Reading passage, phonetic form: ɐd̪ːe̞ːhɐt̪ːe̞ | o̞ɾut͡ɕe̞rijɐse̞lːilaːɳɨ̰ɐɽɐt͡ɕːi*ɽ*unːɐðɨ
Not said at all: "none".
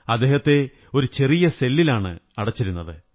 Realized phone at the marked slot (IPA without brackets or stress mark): ɾ